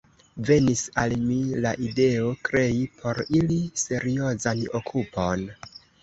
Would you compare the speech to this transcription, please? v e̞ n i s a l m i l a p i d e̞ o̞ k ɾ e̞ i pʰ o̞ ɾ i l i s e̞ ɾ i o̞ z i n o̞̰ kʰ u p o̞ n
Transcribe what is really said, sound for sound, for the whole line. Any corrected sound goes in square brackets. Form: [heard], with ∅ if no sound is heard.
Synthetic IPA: v e̞ n i s a l m i l a [ʔ] i d e̞ o̞ k ɾ e̞ i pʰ o̞ ɾ i l i s e̞ ɾ i o̞ z [a] n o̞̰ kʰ u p o̞ n